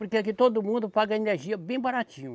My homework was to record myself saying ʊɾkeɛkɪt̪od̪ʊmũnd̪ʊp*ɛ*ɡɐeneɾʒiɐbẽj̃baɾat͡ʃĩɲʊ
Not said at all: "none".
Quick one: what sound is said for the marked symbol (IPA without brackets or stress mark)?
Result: a